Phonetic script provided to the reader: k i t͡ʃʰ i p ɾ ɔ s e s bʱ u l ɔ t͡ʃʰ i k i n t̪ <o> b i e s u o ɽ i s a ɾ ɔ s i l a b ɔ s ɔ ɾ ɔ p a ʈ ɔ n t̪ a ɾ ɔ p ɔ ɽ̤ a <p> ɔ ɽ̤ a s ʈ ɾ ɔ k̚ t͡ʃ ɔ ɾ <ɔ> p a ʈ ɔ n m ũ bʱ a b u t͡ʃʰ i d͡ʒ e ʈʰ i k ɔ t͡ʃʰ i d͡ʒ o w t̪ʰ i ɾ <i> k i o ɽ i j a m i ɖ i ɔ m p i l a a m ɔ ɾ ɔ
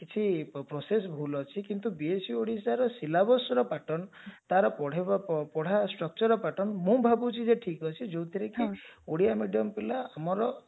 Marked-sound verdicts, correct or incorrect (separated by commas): incorrect, correct, correct, incorrect